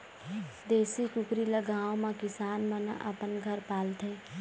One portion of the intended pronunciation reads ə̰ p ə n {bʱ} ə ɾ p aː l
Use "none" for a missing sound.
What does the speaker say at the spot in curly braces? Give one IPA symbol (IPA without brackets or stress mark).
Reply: ɡʱ